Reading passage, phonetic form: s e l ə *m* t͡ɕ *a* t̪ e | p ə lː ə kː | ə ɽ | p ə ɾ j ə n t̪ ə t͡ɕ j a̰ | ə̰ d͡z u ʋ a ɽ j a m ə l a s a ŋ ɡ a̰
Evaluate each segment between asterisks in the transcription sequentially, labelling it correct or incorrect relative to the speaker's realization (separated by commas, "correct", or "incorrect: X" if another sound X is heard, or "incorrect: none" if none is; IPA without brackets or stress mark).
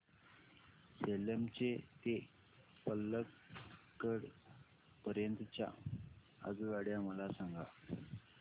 correct, incorrect: e